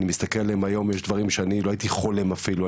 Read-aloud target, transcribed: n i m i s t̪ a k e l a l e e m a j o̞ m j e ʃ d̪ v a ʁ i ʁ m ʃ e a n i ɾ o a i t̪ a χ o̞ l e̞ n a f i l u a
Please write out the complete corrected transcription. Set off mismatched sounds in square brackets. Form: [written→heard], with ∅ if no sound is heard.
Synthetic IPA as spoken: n i m i s t̪ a k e l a l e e m a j o̞ m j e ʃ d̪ v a ʁ i [ʁ→∅] m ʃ e a n i [ɾ→l] o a i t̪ [a→i] χ o̞ l e̞ [n→m] a f i l u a